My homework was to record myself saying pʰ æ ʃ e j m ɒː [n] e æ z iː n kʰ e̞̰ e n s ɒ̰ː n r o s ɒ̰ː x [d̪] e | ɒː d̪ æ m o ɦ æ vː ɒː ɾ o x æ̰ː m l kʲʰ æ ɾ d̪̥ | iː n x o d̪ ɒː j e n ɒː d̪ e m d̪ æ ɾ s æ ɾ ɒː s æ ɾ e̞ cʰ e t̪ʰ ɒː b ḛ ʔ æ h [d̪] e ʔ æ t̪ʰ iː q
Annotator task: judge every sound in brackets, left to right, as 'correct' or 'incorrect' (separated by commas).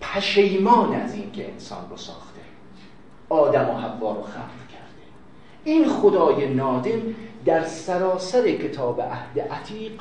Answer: correct, incorrect, correct